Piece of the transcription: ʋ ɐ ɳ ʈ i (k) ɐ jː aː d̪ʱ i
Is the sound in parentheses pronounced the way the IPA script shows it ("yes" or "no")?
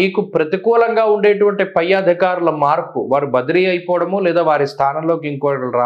no